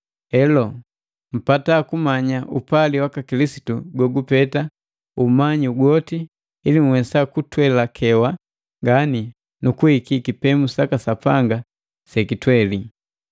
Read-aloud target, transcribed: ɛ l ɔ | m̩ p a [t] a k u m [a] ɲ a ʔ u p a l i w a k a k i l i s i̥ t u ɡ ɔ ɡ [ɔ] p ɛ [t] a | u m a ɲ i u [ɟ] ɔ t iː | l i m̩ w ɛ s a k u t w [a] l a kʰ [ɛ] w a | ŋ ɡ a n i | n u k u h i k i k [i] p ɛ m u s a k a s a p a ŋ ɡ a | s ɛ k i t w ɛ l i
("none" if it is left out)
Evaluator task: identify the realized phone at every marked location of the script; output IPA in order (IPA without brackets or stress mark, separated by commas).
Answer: t, a, u, t, ɡ, ɛ, ɛ, i